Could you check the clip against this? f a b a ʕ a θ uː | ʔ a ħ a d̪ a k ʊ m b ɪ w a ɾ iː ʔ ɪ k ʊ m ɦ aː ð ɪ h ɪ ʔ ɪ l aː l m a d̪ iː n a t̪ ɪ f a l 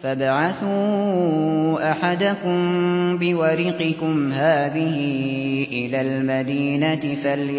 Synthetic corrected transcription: f a b a ʕ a θ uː | ʔ a ħ a d̪ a k ʊ m b ɪ w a ɾ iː q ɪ k ʊ m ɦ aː ð ɪ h ɪ ʔ ɪ l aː l m a d̪ iː n a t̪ ɪ f a l